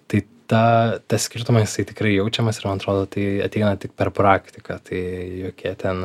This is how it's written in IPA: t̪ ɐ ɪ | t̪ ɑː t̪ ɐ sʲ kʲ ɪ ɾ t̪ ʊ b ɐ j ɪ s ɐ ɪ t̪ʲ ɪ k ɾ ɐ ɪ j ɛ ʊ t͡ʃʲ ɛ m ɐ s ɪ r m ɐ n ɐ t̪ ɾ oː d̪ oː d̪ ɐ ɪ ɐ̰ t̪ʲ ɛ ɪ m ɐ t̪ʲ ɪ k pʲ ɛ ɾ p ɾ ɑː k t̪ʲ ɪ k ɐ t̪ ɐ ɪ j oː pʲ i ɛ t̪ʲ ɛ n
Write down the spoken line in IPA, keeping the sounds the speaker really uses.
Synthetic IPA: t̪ ɐ ɪ | t̪ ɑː t̪ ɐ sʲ kʲ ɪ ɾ t̪ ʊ m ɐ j ɪ s ɐ ɪ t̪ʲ ɪ k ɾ ɐ ɪ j ɛ ʊ t͡ʃʲ ɛ m ɐ s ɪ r m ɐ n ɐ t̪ ɾ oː d̪ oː t̪ ɐ ɪ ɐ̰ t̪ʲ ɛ ɪ n ɐ t̪ʲ ɪ k pʲ ɛ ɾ p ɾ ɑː k t̪ʲ ɪ k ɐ t̪ ɐ ɪ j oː kʲ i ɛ t̪ʲ ɛ n

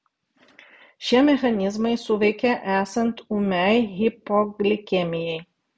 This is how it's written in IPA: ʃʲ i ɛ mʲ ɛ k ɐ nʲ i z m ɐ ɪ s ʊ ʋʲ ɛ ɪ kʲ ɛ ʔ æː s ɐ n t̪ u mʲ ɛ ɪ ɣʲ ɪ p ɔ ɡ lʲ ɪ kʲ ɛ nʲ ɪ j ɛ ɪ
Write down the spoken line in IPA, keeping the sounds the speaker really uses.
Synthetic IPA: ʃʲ i ɛ mʲ ɛ x ɐ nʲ ɪ z m ɐ ɪ s ʊ ʋʲ ɛ ɪ kʲ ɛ ʔ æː s ɐ n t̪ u mʲ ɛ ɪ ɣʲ ɪ p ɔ ɡ lʲ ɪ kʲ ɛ mʲ ɪ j ɛ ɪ

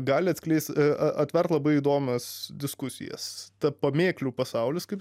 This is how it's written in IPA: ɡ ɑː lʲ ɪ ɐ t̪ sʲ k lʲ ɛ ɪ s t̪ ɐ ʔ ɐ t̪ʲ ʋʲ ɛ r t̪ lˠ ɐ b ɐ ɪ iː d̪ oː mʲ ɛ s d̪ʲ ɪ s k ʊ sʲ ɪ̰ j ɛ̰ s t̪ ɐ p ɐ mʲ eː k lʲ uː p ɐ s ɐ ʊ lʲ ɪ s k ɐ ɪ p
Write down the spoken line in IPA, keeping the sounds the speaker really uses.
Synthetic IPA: ɡ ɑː lʲ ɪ ɐ t̪ sʲ k lʲ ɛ ɪ s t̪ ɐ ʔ ɐ t̪ʲ ʋʲ ɛ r t̪ lˠ ɐ b ɐ ɪ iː d̪ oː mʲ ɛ s d̪ʲ ɪ s k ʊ sʲ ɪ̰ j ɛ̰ s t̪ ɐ p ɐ mʲ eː k lʲ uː p ɐ s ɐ ʊ lʲ ɪ s k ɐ ɪ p

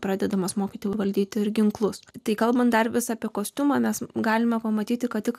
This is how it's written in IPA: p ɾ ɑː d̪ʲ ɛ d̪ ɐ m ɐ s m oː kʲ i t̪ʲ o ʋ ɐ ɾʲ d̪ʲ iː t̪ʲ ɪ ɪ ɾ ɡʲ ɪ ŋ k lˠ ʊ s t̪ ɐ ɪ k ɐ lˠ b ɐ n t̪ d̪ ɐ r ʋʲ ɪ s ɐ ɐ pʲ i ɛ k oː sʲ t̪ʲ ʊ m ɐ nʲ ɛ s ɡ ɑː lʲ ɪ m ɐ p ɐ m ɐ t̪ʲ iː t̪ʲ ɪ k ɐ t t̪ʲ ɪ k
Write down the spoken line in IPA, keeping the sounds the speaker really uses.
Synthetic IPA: p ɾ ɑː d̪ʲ ɛ d̪ ɐ m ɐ s m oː kʲ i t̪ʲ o ʋ ɐ lʲ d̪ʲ iː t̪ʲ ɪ ɪ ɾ ɡʲ ɪ ŋ k lˠ ʊ s t̪ ɐ ɪ k ɐ lˠ b ɐ n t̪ d̪ ɐ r ʋʲ ɪ s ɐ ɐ pʲ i ɛ k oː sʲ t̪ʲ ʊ m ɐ mʲ ɛ s ɡ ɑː lʲ ɪ m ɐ p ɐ m ɐ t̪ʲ iː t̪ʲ ɪ k ɐ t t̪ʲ ɪ k

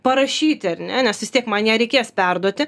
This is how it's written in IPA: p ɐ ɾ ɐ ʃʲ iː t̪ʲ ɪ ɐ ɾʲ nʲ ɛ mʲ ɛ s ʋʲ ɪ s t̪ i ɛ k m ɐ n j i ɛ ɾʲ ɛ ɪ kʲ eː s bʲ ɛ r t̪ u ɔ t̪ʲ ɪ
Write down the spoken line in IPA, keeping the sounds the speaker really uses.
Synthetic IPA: p ɐ ɾ ɐ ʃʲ iː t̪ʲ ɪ ɐ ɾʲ nʲ ɛ nʲ ɛ s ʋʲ ɪ s t̪ i ɛ k m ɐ n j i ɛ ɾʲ ɛ ɪ kʲ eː s pʲ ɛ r d̪ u ɔ t̪ʲ ɪ

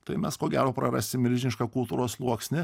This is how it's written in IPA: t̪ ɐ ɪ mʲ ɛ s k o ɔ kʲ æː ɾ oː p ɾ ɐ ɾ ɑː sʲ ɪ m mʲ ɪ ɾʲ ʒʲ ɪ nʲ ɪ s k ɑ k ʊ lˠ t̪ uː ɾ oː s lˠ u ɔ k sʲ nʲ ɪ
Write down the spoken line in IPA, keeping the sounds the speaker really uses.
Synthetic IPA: t̪ ɐ ɪ mʲ ɛ s k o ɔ ɡʲ æː ɾ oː p ɾ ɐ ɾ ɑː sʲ ɪ m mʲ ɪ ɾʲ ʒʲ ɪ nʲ ɪ ʃ k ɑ k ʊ lˠ t̪ uː ɾ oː s lˠ u ɔ k sʲ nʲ ɪ

